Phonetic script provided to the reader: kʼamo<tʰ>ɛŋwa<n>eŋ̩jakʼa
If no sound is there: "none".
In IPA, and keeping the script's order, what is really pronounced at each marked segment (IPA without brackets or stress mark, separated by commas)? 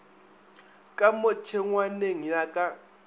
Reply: tʰ, n